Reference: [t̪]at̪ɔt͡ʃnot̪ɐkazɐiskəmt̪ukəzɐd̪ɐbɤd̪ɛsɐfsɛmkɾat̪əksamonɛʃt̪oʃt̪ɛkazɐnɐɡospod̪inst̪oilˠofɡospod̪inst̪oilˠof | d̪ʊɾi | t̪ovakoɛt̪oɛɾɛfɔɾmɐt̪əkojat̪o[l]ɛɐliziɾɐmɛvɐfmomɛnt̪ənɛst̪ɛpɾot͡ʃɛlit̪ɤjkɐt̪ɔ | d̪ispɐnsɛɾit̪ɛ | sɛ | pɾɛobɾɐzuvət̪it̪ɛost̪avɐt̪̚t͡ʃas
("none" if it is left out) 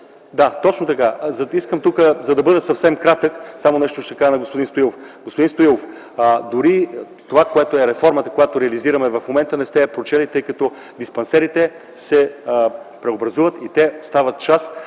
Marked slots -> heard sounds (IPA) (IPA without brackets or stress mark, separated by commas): d̪, ɾ